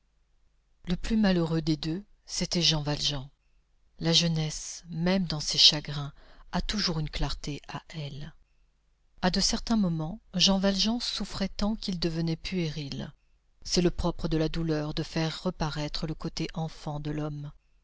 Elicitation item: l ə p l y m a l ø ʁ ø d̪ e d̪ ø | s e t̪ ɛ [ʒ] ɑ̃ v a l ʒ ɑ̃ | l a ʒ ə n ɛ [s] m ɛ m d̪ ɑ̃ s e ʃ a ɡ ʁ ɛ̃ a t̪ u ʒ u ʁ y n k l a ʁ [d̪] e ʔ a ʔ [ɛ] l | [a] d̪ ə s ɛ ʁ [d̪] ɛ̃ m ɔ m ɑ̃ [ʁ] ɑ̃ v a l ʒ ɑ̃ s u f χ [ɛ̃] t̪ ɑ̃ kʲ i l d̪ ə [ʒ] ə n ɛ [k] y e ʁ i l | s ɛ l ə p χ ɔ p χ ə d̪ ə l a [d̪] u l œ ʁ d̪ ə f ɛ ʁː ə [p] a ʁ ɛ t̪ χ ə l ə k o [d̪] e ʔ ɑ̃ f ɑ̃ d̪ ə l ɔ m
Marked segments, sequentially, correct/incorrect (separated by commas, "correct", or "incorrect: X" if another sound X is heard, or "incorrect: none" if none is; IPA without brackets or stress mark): correct, correct, incorrect: t̪, correct, correct, incorrect: t̪, incorrect: ʒ, incorrect: ɛ, incorrect: v, incorrect: p, correct, correct, incorrect: t̪